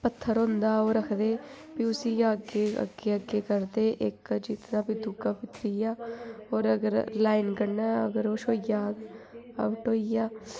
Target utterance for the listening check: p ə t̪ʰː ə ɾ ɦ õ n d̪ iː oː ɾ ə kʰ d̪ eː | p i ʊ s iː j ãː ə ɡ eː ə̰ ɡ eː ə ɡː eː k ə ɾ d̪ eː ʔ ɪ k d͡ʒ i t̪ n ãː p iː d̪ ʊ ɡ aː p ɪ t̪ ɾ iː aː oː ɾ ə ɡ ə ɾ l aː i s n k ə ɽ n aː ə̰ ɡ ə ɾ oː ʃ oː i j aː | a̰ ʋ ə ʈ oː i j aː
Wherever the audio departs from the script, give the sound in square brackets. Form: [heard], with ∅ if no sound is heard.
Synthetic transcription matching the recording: p ə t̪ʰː ə ɾ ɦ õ n d̪ [aː] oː ɾ ə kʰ d̪ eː | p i ʊ s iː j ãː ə ɡ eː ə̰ ɡ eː ə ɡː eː k ə ɾ d̪ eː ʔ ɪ k d͡ʒ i t̪ n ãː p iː d̪ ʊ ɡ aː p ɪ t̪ ɾ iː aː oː ɾ ə ɡ ə ɾ l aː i [∅] n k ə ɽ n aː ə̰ ɡ ə ɾ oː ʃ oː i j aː | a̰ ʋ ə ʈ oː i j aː